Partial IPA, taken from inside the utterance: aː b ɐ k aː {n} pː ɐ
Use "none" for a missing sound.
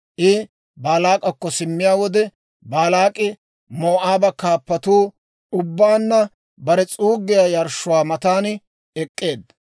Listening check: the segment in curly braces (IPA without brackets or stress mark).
none